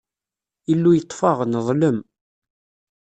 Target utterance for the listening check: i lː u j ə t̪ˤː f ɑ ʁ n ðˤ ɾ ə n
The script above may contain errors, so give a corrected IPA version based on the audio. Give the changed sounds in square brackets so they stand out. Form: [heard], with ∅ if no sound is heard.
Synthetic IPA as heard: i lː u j ə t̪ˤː f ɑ ʁ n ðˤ [l] ə [m]